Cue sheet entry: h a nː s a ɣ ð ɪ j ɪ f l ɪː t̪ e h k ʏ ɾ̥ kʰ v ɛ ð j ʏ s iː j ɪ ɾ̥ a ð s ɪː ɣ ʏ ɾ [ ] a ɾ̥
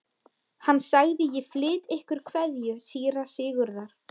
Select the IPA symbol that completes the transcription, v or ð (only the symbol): ð